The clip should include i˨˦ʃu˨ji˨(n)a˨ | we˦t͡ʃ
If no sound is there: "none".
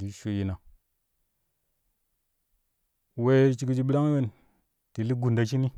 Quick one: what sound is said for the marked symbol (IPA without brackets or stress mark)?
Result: n